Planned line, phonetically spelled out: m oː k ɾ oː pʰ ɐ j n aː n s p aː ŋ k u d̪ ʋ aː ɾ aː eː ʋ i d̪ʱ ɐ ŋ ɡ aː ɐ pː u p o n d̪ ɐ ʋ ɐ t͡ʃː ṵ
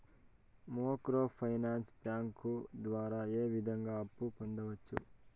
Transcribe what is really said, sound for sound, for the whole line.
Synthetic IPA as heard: m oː k ɾ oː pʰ ɐ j n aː n s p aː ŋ k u d̪ ʋ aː ɾ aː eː ʋ i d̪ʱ ɐ ŋ ɡ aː ɐ pː u p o n d̪ ɐ ʋ ɐ t͡ʃː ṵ